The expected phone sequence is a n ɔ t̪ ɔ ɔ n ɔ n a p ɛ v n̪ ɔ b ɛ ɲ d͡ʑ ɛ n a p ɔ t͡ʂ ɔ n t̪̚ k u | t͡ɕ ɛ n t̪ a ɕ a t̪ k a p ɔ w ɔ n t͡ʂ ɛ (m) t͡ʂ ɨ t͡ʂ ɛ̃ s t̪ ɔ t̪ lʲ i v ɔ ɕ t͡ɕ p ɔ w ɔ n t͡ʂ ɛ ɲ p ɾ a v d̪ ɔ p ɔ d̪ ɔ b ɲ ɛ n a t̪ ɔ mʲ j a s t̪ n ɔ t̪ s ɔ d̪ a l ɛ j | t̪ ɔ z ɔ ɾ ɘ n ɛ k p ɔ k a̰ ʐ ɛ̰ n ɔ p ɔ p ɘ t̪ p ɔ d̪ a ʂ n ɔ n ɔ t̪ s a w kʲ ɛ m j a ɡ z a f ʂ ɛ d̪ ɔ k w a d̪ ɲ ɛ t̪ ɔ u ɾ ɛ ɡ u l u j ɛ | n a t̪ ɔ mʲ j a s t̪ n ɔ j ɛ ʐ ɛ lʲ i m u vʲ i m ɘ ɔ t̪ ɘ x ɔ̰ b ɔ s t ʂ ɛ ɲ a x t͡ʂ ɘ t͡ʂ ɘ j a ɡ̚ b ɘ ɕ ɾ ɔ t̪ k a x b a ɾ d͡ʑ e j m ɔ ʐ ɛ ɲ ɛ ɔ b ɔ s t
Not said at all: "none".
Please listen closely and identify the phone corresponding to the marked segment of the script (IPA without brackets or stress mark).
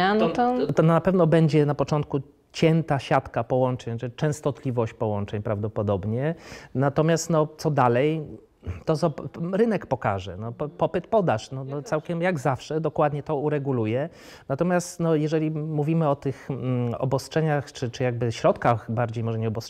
ɲ